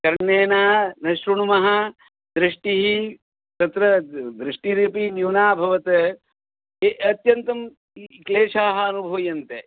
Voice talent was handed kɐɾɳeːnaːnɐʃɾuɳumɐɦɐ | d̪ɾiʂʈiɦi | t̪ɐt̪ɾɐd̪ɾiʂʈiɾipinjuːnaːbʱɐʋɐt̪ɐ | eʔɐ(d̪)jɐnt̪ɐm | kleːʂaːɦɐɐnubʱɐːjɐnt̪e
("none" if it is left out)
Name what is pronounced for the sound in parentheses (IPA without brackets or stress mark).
t̪